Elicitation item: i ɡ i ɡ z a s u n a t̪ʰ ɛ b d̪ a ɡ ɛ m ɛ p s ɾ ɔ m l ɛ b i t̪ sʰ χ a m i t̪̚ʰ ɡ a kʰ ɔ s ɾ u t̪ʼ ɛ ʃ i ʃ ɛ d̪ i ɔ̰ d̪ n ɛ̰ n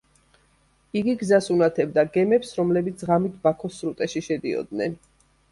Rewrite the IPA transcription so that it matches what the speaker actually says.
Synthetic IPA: i ɡ i ɡ z a s u n a t̪ʰ ɛ b d̪ a ɡ ɛ m ɛ p s ɾ ɔ m l ɛ b i t̪ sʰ ʁ a m i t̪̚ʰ b a kʰ ɔ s ɾ u t̪ʼ ɛ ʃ i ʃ ɛ d̪ i ɔ̰ d̪ n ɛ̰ n